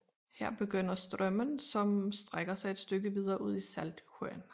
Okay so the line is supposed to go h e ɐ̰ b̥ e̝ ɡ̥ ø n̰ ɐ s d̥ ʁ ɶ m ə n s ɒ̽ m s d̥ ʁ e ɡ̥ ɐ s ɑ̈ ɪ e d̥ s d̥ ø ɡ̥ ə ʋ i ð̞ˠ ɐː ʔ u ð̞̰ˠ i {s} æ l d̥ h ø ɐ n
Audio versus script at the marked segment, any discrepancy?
no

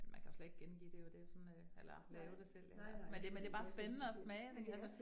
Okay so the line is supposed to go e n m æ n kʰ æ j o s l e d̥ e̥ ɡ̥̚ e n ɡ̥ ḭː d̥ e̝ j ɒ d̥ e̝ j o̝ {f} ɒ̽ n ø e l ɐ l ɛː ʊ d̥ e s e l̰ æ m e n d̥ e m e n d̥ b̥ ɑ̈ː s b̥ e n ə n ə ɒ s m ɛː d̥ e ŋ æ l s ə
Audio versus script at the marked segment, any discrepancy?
yes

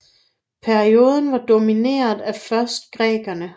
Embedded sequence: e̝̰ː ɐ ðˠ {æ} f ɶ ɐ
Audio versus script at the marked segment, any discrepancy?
no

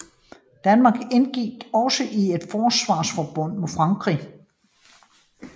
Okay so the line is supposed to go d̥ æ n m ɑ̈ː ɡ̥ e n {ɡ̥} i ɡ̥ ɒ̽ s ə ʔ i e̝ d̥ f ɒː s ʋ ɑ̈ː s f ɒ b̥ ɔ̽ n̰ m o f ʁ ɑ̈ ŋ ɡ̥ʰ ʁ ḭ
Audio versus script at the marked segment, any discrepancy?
no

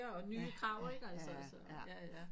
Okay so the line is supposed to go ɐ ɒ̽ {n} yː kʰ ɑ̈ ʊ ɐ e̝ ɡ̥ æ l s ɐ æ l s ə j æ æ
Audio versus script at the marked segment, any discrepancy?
no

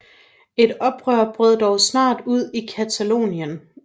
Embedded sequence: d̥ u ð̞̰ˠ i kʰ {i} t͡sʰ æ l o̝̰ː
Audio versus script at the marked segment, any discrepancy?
yes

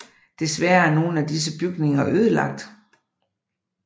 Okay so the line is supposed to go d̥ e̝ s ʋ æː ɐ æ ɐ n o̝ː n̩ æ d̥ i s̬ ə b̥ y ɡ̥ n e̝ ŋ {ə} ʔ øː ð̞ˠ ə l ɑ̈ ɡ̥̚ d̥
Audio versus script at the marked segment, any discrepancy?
yes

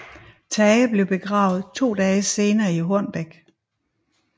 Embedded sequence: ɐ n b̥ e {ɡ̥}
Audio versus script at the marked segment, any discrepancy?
no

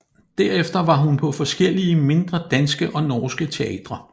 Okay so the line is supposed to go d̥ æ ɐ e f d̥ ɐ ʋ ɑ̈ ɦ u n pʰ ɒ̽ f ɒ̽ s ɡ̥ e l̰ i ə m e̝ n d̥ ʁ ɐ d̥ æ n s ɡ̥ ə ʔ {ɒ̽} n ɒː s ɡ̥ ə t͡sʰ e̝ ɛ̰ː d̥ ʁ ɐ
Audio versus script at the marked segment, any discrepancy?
no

